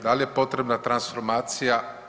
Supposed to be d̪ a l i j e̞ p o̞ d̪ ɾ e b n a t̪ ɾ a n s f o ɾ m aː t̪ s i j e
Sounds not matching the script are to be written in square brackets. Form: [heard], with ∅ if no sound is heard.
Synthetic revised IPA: d̪ a l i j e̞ p o̞ [t̪] ɾ e b n a t̪ ɾ a n s f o ɾ m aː t̪ s i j [a]

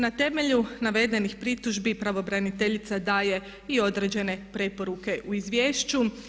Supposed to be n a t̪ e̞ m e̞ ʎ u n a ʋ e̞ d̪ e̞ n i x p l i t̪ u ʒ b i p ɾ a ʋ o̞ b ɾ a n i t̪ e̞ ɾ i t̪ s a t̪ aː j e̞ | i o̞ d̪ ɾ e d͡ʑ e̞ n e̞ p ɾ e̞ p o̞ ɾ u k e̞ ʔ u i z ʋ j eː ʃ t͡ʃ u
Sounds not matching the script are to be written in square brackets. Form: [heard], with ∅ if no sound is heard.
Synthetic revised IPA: n a t̪ e̞ m e̞ ʎ u n a ʋ e̞ d̪ e̞ n i x p [ɾ] i t̪ u ʒ b i p ɾ a ʋ o̞ b ɾ a n i t̪ e̞ [ʎ] i t̪ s a [d̪] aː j e̞ | i o̞ d̪ ɾ e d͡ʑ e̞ n e̞ p ɾ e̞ p o̞ ɾ u k e̞ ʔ u i z ʋ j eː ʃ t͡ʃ u

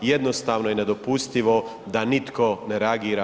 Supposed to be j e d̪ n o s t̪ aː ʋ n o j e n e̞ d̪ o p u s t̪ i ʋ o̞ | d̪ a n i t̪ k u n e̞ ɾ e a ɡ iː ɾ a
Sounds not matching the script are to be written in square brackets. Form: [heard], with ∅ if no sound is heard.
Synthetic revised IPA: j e d̪ n o s t̪ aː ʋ n o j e n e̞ d̪ o p u s t̪ i ʋ o̞ | d̪ a n i t̪ k [o] n e̞ ɾ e a ɡ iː ɾ a

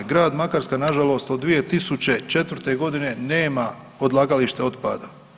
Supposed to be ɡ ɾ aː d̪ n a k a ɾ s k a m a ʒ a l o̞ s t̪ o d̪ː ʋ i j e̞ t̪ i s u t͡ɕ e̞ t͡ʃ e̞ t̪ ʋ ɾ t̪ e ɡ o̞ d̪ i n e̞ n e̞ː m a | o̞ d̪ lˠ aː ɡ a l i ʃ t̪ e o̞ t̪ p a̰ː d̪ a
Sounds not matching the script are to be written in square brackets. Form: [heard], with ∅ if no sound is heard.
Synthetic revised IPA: ɡ ɾ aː d̪ [m] a k a ɾ s k a [n] a ʒ a l o̞ s t̪ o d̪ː ʋ i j e̞ t̪ i s u t͡ɕ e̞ t͡ʃ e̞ t̪ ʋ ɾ t̪ e ɡ o̞ d̪ i n e̞ n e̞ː m a | o̞ d̪ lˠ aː ɡ a l i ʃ t̪ e o̞ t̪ p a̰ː d̪ a

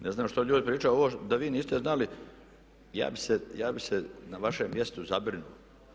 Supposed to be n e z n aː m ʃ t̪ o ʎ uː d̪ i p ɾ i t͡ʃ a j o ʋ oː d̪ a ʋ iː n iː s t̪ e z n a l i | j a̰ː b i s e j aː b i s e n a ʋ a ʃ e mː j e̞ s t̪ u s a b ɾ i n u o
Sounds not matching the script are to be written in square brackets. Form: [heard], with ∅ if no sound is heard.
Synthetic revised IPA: n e z n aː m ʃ t̪ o ʎ uː d̪ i p ɾ [iː] t͡ʃ a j o ʋ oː d̪ a ʋ iː n iː s t̪ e z n a l i | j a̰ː b i s e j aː b i s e n a ʋ a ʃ e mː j e̞ s t̪ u [z] a b ɾ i n u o

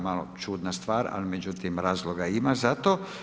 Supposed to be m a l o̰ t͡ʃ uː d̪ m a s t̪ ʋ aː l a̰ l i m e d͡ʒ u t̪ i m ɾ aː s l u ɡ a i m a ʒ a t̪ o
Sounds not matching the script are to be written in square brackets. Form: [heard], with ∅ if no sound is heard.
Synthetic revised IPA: m a l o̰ t͡ʃ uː d̪ [n] a s t̪ ʋ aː [ɾ] a̰ l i m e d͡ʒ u t̪ i m ɾ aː [z] l [o] ɡ a i m a [z] a t̪ o

